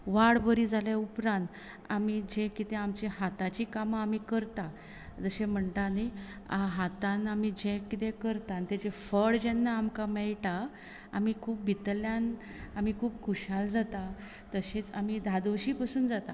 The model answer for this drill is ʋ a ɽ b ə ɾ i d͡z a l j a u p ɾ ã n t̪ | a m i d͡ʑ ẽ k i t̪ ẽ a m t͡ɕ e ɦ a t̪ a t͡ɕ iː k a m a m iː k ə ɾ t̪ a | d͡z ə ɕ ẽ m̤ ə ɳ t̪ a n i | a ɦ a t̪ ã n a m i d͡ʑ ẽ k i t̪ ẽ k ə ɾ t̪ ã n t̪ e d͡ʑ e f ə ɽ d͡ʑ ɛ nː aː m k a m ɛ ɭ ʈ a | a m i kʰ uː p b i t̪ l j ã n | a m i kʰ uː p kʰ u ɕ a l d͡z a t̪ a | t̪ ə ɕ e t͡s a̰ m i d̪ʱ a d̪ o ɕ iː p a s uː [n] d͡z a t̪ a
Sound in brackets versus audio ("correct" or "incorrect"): correct